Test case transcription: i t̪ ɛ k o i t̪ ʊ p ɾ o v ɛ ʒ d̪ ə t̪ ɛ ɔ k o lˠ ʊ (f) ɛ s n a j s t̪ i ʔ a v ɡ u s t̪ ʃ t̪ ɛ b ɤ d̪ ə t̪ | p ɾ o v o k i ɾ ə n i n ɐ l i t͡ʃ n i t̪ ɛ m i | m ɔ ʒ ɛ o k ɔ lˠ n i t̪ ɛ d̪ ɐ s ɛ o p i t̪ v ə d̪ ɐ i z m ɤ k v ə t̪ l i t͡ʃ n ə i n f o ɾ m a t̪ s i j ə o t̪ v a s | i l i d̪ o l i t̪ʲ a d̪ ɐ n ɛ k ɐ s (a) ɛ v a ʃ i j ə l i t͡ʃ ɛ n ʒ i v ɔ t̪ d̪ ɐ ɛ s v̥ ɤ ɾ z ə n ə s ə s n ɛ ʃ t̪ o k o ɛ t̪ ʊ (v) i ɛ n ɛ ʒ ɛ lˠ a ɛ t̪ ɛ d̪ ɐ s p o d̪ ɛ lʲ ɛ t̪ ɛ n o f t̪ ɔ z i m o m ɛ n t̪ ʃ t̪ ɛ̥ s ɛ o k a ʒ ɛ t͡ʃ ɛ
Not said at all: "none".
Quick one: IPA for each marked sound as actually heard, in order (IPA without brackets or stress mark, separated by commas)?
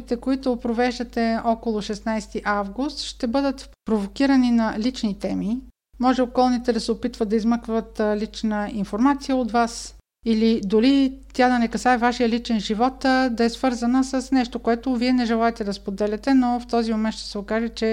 ʃ, a, v